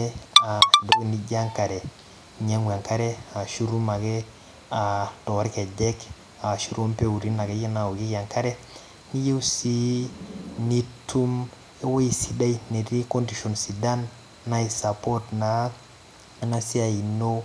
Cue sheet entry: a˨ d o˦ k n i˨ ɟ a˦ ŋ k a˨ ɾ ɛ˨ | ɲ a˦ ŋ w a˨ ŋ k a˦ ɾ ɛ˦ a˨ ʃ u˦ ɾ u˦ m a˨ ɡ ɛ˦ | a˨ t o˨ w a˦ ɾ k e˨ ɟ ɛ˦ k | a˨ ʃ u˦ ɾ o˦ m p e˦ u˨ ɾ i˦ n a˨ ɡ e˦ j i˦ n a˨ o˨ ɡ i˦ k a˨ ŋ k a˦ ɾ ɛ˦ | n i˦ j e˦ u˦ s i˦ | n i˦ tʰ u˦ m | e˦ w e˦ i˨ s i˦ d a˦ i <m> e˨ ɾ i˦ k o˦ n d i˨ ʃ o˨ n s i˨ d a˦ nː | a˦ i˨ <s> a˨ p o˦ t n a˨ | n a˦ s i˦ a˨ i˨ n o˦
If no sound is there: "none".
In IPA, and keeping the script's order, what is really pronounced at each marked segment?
n, s

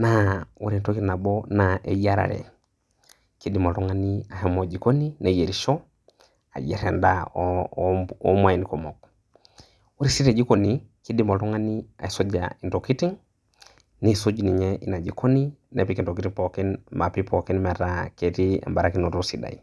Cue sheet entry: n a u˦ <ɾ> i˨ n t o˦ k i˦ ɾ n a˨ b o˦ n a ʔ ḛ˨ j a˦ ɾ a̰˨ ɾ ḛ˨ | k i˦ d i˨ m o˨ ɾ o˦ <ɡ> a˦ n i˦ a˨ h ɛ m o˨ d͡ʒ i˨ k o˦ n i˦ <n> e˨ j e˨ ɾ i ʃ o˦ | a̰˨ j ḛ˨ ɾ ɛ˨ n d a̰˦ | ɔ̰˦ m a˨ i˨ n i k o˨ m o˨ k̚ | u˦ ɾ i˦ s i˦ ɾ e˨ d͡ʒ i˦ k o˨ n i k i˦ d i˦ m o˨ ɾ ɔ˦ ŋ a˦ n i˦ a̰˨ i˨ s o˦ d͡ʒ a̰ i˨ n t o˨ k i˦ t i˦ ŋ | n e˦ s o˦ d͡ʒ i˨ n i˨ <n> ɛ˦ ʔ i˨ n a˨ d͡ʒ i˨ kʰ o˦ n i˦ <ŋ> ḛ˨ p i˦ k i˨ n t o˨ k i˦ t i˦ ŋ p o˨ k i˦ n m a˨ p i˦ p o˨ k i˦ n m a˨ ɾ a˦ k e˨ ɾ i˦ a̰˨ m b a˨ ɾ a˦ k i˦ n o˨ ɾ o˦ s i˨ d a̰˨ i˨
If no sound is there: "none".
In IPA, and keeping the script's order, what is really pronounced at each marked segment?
ɾ, ŋ, n, ɲ, n

